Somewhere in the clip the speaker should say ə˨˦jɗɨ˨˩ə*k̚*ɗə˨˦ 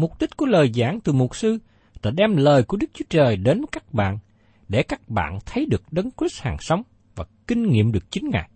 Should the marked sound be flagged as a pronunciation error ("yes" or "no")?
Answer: no